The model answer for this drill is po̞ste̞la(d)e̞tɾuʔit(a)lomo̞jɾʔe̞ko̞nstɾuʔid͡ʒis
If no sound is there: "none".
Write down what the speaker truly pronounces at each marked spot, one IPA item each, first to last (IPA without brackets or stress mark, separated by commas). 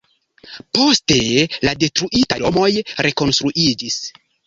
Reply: d, a